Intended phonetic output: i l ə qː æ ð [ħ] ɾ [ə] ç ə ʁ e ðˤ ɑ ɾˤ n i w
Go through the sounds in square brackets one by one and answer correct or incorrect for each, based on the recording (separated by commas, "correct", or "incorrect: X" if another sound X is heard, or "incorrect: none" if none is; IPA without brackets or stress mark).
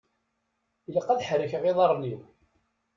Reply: correct, correct